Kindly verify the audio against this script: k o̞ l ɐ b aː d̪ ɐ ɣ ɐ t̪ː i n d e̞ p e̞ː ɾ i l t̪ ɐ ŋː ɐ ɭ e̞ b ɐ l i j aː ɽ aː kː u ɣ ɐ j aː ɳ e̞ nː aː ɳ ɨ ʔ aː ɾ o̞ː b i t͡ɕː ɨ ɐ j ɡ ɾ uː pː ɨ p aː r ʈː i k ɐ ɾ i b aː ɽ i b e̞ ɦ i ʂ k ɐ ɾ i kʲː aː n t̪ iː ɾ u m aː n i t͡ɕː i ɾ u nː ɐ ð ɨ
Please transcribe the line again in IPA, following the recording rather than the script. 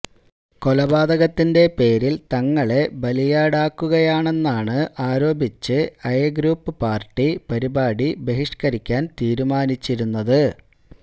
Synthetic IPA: k o̞ l ɐ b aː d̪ ɐ ɣ ɐ t̪ː i n d e̞ p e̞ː ɾ i l t̪ ɐ ŋː ɐ ɭ e̞ b ɐ l i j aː ɽ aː kː u ɣ ɐ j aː ɳ e̞ nː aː ɳ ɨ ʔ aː ɾ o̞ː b i t͡ɕː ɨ ɐ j ɡ ɾ uː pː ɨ p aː r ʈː i p ɐ ɾ i b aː ɽ i b e̞ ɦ i ʂ k ɐ ɾ i kʲː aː n t̪ iː ɾ u m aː n i t͡ɕː i ɾ u nː ɐ ð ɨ

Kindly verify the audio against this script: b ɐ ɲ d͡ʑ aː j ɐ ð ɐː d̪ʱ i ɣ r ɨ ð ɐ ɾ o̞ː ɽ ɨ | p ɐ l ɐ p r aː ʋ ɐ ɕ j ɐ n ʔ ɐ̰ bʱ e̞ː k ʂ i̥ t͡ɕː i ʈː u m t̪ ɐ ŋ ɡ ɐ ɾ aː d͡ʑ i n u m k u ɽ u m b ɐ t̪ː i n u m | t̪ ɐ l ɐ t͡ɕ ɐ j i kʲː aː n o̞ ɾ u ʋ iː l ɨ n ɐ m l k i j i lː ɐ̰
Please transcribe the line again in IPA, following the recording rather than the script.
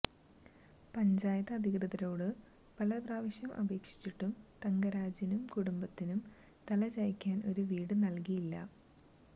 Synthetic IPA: p ɐ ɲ d͡ʑ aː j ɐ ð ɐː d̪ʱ i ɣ r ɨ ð ɐ ɾ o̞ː ɽ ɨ | p ɐ l ɐ p r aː ʋ ɐ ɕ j ɐ m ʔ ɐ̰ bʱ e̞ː k ʂ i̥ t͡ɕː i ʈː u m t̪ ɐ ŋ ɡ ɐ ɾ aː d͡ʑ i n u m k u ɽ u m b ɐ t̪ː i n u m | t̪ ɐ l ɐ t͡ɕ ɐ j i kʲː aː n o̞ ɾ u ʋ iː ɽ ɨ n ɐ l k i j i lː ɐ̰

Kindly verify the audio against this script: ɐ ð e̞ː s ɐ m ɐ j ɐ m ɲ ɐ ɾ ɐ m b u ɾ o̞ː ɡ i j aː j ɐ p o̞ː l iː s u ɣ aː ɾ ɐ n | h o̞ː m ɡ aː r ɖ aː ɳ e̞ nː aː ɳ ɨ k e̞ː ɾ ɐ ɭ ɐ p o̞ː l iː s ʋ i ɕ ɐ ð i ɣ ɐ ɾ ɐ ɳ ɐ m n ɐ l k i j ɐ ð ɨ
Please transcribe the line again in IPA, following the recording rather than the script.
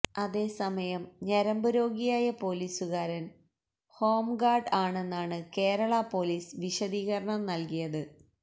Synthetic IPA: ɐ ð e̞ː s ɐ m ɐ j ɐ m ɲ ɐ ɾ ɐ m b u ɾ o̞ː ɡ i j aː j ɐ p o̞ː l iː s u ɣ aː ɾ ɐ n | h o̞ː m ɡ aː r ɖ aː ɳ e̞ nː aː ɳ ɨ k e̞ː ɾ ɐ ɭ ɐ p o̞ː l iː s ʋ i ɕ ɐ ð iː ɣ ɐ ɾ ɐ ɳ ɐ m n ɐ l k i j ɐ ð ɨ

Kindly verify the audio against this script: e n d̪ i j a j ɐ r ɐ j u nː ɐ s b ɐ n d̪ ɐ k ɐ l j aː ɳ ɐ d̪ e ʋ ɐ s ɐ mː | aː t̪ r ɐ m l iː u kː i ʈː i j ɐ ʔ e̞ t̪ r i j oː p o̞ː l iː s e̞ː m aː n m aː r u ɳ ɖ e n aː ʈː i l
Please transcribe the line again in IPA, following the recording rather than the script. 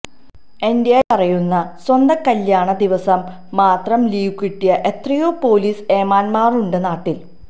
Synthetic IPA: e n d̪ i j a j ɐ r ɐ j u nː ɐ s w ɐ n d̪ ɐ k ɐ l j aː ɳ ɐ d̪ i ʋ ɐ s ɐ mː | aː t̪ r ɐ m l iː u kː i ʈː i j ɐ ʔ e̞ t̪ r i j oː p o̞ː l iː s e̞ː m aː n m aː r u ɳ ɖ e n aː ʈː i l

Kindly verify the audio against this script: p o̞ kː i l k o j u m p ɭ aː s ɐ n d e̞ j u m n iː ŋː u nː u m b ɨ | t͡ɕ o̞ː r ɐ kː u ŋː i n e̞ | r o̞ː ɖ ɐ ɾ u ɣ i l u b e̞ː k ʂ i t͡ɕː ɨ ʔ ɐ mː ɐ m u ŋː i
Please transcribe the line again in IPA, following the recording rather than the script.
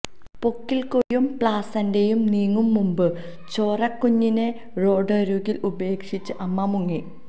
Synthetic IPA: p o̞ kː i l k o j u m p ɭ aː s ɐ n d e̞ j u m n iː ŋː u mː u m b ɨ | t͡ɕ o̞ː r ɐ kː u ɲː i n e̞ | r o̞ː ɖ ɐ ɾ u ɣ i l u b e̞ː k ʂ i t͡ɕː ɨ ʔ ɐ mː ɐ m u ŋː i

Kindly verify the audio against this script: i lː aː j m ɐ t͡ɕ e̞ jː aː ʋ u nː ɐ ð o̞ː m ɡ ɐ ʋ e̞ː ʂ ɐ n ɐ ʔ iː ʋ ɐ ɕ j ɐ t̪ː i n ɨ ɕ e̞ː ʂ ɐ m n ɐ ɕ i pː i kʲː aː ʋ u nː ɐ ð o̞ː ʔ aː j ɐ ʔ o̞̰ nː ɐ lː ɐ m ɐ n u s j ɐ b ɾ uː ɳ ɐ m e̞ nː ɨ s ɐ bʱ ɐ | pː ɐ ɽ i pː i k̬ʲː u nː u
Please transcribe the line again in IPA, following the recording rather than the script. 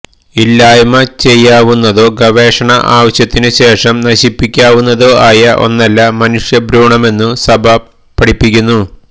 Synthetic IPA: i lː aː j m ɐ t͡ɕ e̞ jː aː ʋ u nː ɐ ð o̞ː ɡ ɐ ʋ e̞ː ʂ ɐ ɳ ɐ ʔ aː ʋ ɐ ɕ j ɐ t̪ː i n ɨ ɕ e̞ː ʂ ɐ m n ɐ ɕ i pː i kʲː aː ʋ u nː ɐ ð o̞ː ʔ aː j ɐ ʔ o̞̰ nː ɐ lː ɐ m ɐ n u ʂ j ɐ b ɾ uː ɳ ɐ m e̞ nː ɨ s ɐ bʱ ɐ | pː ɐ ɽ i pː i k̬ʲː u nː u

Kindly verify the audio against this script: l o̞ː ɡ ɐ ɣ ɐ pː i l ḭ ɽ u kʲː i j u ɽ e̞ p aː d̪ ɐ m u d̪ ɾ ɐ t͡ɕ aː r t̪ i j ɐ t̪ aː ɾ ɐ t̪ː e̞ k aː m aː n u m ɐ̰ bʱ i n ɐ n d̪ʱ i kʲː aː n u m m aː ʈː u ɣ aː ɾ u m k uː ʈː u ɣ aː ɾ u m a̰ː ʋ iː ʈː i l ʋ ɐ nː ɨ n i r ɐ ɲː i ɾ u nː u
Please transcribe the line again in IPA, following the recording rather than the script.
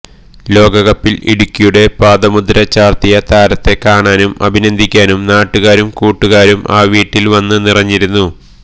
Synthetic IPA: l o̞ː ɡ ɐ ɣ ɐ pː i l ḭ ɽ u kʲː i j u ɽ e̞ p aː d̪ ɐ m u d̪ ɾ ɐ t͡ɕ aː r t̪ i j ɐ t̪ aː ɾ ɐ t̪ː e̞ k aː ɳ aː n u m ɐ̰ bʱ i n ɐ n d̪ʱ i kʲː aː n u m n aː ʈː u ɣ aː ɾ u m k uː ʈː u ɣ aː ɾ u m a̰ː ʋ iː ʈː i l ʋ ɐ nː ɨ n i r ɐ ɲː i ɾ u nː u

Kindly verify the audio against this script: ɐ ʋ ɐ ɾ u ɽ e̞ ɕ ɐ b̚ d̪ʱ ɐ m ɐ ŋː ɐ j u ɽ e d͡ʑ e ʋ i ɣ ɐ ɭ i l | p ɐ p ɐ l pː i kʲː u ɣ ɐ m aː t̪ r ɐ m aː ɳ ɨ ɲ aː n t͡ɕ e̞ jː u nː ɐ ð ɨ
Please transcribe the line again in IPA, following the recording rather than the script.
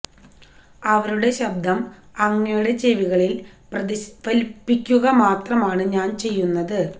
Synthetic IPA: ɐ ʋ ɐ ɾ u ɽ e̞ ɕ ɐ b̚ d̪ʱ ɐ m ɐ ŋː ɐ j u ɽ e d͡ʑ e ʋ i ɣ ɐ ɭ i l | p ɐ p ɐ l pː i kʲː u ɣ ɐ m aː t̪ r ɐ m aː ɳ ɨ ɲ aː n t͡ɕ e̞ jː u nː ɐ ð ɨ

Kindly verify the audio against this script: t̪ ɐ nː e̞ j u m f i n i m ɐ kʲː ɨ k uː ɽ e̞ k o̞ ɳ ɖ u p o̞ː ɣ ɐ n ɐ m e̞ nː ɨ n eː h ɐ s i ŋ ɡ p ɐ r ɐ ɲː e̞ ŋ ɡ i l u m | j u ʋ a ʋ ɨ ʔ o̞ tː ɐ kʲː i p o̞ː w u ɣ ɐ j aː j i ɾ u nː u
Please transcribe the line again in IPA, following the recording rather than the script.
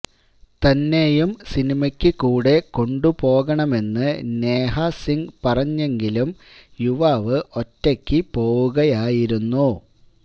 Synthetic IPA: t̪ ɐ nː e̞ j u m s i n i m ɐ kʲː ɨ k uː ɽ e̞ k o̞ ɳ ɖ u p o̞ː ɣ ɐ ɳ ɐ m e̞ nː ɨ n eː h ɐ s i ŋ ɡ p ɐ r ɐ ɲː e̞ ŋ ɡ i l u m | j u ʋ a ʋ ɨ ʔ o̞ tː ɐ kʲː i p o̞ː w u ɣ ɐ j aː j i ɾ u nː u

